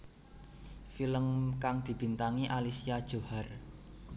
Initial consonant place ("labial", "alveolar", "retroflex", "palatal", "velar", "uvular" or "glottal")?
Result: labial